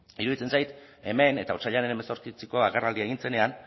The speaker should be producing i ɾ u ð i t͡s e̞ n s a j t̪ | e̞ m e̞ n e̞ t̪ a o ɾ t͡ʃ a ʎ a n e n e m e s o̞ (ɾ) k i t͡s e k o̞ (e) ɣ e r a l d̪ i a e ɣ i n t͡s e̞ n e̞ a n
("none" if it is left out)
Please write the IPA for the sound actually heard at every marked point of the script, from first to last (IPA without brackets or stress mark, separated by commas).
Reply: ɾ, a